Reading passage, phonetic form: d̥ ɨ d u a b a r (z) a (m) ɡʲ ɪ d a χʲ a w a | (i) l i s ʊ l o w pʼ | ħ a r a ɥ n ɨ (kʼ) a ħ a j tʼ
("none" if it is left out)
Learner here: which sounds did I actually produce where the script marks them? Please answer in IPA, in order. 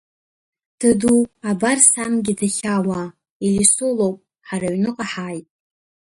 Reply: s, m, i, qʼ

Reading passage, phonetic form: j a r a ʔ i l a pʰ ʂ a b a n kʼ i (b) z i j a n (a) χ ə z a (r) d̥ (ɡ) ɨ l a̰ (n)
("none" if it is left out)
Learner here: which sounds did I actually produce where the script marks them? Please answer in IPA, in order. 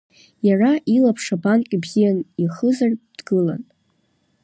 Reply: b, i, r, ɡ, n

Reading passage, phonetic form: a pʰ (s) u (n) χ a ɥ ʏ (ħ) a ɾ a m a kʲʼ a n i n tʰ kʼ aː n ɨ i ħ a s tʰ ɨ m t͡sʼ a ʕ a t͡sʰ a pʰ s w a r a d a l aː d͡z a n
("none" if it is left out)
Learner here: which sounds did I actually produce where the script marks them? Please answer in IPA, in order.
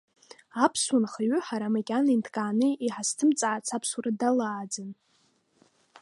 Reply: s, n, ħ

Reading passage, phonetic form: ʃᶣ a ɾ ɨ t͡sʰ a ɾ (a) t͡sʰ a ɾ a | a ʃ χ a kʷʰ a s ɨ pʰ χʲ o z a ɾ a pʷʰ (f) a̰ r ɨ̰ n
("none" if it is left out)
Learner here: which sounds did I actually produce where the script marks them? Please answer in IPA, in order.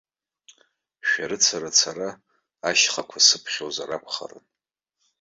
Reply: a, χ

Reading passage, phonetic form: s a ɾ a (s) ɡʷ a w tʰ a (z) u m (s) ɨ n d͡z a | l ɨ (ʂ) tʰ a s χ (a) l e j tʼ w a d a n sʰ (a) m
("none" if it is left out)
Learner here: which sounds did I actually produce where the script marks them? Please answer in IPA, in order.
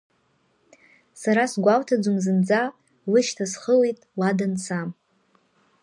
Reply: s, d͡z, z, ʃ, ə, a

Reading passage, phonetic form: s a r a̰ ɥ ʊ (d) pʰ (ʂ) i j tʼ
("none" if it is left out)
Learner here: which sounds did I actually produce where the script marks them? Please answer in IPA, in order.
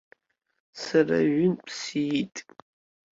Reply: n, s

